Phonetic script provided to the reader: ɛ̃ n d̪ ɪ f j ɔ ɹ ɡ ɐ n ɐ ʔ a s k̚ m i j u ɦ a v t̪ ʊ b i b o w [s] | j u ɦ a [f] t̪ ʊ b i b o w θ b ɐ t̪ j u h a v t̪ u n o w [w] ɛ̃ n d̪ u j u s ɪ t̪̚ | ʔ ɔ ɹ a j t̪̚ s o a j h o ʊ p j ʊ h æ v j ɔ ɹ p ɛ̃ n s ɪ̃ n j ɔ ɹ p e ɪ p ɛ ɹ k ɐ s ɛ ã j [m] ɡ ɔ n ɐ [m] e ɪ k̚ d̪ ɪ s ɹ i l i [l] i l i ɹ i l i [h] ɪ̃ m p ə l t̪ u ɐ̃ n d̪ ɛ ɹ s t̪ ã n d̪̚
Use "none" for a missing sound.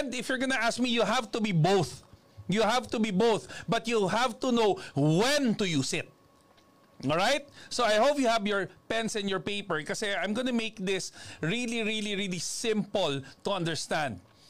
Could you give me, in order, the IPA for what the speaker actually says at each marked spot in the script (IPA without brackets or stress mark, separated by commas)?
θ, v, w, m, m, ɹ, s